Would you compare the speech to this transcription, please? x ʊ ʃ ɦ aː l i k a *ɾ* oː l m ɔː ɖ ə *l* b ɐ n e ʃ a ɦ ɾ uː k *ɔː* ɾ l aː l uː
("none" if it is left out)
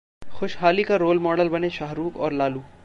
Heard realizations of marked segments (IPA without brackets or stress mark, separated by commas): ɾ, l, ɔː